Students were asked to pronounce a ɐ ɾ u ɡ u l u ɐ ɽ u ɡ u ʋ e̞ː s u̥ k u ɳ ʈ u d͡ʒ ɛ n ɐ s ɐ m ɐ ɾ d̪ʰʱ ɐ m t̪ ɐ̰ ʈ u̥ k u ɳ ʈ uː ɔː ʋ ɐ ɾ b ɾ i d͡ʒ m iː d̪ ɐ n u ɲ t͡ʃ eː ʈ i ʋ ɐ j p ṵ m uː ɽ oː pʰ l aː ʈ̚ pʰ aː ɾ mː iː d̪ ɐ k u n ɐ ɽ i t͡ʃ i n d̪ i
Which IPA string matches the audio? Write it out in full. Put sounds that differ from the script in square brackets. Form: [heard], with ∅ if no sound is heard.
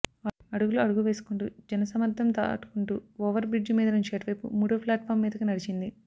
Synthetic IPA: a ɐ [ɽ] u ɡ u l u ɐ ɽ u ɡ u ʋ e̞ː s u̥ k u ɳ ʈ u d͡ʒ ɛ n ɐ s ɐ m ɐ ɾ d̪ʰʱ ɐ m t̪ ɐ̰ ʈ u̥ k u ɳ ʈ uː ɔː ʋ ɐ ɾ b ɾ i d͡ʒ m iː d̪ ɐ n u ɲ t͡ʃ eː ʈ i ʋ ɐ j p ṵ m uː ɽ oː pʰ l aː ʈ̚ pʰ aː ɾ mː iː d̪ ɐ k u n ɐ ɽ i t͡ʃ i n d̪ i